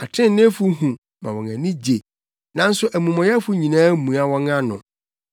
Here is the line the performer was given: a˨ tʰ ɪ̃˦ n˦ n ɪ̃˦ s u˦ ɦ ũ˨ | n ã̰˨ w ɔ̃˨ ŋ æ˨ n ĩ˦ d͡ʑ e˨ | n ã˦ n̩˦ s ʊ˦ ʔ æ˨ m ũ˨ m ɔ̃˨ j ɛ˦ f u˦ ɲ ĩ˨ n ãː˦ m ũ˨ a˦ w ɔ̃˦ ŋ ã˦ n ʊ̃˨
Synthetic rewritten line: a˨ tʰ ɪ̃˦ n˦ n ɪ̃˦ f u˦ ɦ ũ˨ | m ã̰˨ w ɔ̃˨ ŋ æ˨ n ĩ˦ d͡ʑ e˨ | n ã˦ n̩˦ s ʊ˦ ʔ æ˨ m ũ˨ m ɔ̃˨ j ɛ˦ f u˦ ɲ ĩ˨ n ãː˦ m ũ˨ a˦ w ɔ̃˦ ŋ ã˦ n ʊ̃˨